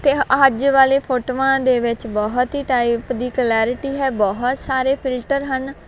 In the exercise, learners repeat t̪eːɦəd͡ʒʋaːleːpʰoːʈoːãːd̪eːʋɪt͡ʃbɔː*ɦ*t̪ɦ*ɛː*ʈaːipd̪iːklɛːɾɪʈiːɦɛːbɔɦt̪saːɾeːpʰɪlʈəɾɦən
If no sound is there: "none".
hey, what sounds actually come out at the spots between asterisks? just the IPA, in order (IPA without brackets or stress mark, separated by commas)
ɦ, iː